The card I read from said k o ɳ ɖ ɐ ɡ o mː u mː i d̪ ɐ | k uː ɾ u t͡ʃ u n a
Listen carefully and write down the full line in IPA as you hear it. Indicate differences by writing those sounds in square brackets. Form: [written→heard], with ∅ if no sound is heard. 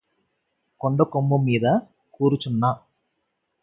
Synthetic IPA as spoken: k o ɳ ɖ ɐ [ɡ→k] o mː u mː [i→iː] d̪ ɐ | k uː ɾ u t͡ʃ u [n→nː] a